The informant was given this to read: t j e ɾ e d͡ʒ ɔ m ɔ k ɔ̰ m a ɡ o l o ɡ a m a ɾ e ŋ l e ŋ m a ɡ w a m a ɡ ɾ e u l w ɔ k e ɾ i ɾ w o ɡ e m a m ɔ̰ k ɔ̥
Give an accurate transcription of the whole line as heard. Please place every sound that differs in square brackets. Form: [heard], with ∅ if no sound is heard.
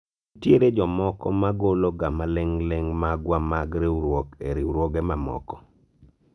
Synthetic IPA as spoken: t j e ɾ e d͡ʒ ɔ m ɔ k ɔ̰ m a ɡ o l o ɡ a m a [l] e ŋ l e ŋ m a ɡ w a m a ɡ ɾ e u [ɾ] w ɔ k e ɾ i ɾ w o ɡ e m a m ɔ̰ k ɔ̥